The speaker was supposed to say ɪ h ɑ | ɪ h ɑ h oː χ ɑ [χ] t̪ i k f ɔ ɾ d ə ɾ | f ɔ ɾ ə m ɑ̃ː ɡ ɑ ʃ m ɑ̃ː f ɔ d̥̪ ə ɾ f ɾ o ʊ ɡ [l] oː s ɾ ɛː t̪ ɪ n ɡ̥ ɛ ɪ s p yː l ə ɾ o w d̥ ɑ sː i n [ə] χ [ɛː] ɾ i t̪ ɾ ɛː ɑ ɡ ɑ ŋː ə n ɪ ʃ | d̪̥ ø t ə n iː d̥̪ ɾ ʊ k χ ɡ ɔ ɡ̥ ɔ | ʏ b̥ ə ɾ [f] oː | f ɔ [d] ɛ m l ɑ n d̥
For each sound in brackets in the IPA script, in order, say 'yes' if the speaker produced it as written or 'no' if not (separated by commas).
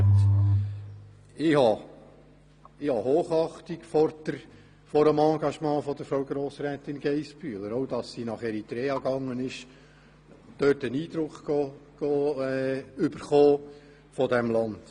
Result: yes, no, no, no, no, yes